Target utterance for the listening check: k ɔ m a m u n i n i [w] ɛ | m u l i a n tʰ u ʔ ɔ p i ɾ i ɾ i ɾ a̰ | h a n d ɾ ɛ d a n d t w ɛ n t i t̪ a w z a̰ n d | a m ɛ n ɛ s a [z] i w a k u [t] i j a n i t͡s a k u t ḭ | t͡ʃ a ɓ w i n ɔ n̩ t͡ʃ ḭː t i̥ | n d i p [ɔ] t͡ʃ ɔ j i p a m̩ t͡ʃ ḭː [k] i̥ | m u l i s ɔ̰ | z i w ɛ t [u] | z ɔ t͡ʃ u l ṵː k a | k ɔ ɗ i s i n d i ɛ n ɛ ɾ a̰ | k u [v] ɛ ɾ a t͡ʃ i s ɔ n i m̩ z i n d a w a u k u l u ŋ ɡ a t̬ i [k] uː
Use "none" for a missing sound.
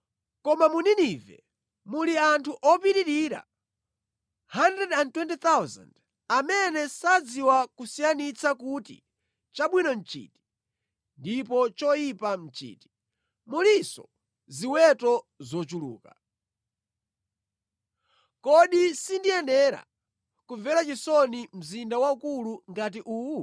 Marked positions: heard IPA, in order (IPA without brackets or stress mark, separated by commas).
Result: v, d͡z, s, ɔ, t, ɔ, v, ʔ